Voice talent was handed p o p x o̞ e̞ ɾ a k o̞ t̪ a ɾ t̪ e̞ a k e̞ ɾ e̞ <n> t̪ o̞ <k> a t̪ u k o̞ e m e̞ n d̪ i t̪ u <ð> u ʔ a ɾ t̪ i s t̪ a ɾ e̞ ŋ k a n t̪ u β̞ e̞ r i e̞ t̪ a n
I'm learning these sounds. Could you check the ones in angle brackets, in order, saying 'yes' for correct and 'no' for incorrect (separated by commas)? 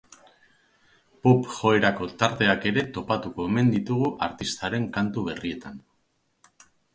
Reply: no, no, no